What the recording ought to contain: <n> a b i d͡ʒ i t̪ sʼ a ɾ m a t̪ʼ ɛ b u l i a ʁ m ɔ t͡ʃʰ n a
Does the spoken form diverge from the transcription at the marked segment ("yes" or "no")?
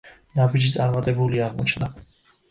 no